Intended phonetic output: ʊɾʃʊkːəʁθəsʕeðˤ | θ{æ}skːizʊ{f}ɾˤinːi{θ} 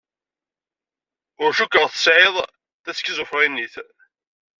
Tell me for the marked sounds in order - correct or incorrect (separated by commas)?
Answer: correct, correct, correct